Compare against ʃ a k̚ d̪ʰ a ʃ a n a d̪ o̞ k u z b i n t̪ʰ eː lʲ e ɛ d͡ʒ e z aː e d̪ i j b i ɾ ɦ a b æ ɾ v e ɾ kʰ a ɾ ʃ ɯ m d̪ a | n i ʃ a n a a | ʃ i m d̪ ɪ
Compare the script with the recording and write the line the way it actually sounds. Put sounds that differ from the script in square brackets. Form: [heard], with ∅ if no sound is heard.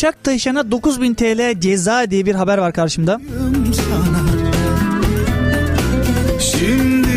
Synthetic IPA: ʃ a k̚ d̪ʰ a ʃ a n a d̪ o̞ k u z b i n t̪ʰ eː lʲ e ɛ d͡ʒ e z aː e d̪ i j b i ɾ ɦ a b æ ɾ v [a] ɾ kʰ a ɾ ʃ ɯ m d̪ a | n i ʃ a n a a | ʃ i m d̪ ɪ